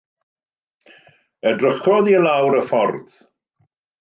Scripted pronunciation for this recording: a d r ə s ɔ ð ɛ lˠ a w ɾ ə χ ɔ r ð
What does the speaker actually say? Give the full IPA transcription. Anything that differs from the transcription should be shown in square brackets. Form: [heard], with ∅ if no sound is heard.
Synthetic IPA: [ə] d r ə [χ] ɔ ð [i] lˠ a w ɾ ə [f] ɔ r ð